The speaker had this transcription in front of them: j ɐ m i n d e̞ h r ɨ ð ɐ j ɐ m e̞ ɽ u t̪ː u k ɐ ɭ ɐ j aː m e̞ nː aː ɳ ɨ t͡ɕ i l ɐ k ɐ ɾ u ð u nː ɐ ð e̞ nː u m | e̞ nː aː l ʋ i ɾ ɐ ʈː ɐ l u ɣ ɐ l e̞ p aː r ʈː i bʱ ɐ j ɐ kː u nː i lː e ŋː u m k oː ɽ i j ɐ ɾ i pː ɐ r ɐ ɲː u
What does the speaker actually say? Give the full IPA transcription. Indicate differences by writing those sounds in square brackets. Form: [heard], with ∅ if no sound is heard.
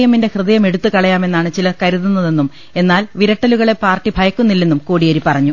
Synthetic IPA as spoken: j ɐ m i n d e̞ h r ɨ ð ɐ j ɐ m e̞ ɽ u t̪ː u k ɐ ɭ ɐ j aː m e̞ nː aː ɳ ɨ t͡ɕ i l ɐ k ɐ ɾ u ð u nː ɐ ð e̞ nː u m | e̞ nː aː l ʋ i ɾ ɐ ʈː ɐ l u ɣ ɐ [ɭ] e̞ p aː r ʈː i bʱ ɐ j ɐ kː u nː i lː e [nː] u m k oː ɽ i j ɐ ɾ i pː ɐ r ɐ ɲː u